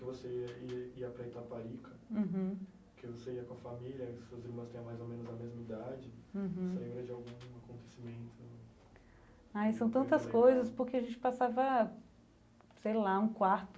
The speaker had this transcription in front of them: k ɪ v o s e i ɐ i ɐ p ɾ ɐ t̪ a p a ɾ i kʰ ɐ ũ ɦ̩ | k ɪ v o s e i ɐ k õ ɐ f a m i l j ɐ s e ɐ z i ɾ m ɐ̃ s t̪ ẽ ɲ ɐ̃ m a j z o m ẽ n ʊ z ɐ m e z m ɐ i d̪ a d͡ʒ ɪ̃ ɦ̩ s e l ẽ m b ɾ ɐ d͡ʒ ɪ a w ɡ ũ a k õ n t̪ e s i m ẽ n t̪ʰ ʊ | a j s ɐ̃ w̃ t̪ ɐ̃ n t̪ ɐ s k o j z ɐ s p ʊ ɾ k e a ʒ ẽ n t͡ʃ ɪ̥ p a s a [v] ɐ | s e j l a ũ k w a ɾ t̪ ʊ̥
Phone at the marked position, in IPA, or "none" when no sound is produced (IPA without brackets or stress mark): v